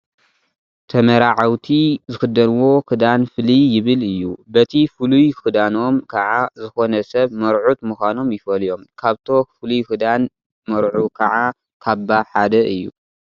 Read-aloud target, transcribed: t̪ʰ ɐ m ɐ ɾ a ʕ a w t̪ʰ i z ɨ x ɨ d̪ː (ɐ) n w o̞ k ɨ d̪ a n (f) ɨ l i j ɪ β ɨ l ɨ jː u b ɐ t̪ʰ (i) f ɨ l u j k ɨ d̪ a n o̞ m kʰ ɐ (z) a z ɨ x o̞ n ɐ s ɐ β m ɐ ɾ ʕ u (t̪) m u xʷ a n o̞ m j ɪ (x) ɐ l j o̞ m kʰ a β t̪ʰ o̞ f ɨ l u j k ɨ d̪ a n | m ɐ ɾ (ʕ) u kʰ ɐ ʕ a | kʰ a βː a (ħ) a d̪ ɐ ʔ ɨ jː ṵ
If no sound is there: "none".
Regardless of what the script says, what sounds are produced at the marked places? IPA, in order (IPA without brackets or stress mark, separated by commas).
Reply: ɐ, f, i, ʕ, t̪, f, ʕ, ħ